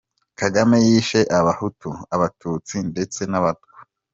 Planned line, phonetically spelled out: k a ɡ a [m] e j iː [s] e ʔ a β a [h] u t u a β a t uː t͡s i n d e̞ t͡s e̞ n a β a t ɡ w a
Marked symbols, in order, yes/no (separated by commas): yes, no, yes